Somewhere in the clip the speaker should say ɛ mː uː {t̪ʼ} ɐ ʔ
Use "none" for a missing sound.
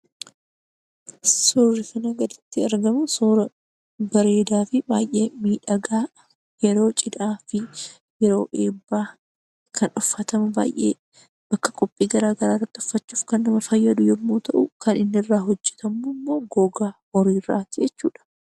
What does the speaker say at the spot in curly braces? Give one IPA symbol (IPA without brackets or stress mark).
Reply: t̪